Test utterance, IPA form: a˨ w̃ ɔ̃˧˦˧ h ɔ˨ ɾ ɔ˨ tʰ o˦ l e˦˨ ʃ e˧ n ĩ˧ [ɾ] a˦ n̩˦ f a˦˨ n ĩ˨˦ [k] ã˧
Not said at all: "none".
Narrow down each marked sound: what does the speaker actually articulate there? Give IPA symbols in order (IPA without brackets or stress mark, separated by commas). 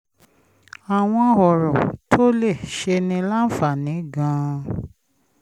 l, ɡ